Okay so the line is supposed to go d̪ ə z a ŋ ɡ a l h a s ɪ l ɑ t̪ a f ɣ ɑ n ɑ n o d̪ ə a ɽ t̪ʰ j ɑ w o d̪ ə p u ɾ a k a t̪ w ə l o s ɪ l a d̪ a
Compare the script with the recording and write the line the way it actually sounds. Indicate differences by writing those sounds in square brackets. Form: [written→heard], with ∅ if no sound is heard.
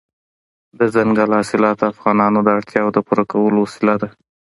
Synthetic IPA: d̪ ə z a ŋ ɡ a l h [a→ɑ] s ɪ l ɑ t̪ a f ɣ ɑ n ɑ n o d̪ ə a ɽ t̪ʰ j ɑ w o d̪ ə p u ɾ a k a [t̪→∅] w ə l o s ɪ l a d̪ a